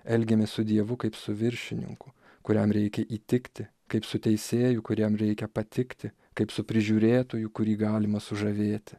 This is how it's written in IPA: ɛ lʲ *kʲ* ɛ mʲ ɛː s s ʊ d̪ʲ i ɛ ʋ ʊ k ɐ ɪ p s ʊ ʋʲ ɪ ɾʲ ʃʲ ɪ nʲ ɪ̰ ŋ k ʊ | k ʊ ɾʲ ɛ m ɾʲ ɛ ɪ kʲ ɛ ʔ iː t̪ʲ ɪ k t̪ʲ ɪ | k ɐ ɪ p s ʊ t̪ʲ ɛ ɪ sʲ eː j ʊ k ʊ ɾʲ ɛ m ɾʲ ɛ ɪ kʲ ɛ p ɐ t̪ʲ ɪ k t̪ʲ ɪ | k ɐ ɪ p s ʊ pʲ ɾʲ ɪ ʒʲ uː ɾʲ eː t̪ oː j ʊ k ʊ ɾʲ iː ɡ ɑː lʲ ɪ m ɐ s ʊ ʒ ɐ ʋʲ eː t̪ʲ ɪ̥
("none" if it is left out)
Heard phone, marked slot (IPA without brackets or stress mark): ɡʲ